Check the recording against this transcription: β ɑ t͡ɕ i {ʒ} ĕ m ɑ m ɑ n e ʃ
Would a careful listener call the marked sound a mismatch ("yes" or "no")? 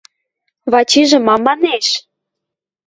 no